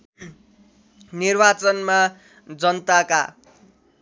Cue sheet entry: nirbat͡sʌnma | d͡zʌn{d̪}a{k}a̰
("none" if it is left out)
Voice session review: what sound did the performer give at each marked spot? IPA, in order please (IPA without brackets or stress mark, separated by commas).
t̪, k